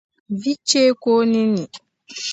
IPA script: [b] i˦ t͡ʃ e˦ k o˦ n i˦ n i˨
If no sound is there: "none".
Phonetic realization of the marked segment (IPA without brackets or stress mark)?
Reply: v